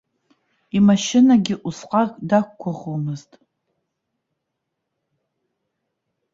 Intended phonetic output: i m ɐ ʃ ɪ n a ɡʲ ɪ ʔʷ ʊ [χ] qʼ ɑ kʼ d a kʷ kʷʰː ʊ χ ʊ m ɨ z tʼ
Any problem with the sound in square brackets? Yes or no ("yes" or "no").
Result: yes